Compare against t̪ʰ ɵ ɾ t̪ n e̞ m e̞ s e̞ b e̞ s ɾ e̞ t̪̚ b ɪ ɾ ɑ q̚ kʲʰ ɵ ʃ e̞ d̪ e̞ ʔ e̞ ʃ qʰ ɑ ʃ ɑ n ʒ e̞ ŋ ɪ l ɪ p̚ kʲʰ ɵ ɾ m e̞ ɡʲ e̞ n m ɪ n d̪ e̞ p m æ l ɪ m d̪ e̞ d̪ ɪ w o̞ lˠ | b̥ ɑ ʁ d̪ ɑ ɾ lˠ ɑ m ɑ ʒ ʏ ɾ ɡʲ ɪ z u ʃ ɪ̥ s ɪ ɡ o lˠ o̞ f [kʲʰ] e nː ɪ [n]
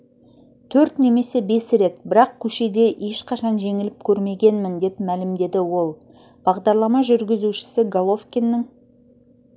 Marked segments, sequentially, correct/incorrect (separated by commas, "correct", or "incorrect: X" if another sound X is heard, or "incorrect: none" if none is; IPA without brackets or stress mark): incorrect: kʲ, incorrect: ŋ